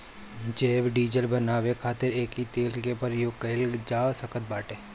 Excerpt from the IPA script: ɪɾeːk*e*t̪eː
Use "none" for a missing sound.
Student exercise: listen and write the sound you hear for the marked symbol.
i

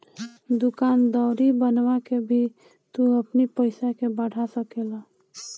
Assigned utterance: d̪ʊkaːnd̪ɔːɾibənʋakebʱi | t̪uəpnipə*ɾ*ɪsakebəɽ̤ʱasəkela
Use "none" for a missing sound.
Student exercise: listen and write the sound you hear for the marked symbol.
none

